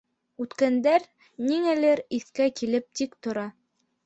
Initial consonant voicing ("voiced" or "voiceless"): voiceless